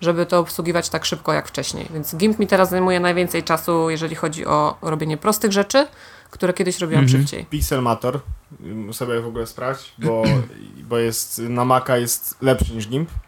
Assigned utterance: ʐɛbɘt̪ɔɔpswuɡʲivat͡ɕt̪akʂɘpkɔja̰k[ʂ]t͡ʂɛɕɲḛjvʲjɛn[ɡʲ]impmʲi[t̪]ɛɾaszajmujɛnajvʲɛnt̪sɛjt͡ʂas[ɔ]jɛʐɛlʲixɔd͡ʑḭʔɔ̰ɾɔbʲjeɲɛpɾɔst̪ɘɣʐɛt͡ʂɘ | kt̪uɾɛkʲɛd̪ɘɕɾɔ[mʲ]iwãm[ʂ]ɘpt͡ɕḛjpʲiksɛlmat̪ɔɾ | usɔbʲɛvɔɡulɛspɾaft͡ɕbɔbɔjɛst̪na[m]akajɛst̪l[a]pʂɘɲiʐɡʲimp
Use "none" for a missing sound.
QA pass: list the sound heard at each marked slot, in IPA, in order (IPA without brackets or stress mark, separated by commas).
f, ɡʲ, t̪, u, bʲ, ʂ, m, ɛ